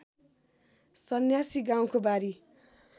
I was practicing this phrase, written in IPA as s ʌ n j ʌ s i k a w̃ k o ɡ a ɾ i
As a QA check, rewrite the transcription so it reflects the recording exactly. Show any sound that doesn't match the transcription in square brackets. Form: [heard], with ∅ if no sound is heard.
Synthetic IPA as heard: s ʌ n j [a] s i [ɡ] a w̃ k o [b] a ɾ i